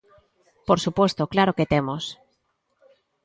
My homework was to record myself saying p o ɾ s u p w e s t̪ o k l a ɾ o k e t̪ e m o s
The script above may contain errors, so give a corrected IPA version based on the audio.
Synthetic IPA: p o ɾ s u p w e s t̪ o k l a ɾ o k e t̪ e m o s